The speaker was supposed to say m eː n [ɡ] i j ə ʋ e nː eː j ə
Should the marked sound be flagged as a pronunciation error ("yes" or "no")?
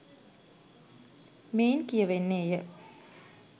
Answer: yes